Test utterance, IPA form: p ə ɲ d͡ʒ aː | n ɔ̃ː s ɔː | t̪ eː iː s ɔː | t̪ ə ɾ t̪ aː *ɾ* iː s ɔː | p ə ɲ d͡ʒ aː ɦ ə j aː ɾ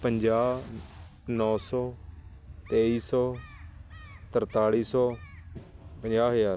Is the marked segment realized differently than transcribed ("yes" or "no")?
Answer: yes